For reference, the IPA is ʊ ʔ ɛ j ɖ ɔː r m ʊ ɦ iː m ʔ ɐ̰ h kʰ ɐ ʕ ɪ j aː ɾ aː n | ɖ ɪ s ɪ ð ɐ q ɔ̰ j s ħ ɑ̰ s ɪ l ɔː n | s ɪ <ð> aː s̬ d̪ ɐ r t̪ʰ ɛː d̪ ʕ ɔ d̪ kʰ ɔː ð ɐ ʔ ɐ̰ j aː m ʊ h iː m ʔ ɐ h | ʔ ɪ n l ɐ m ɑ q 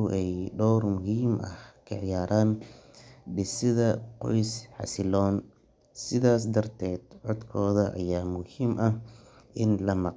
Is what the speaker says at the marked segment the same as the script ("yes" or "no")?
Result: yes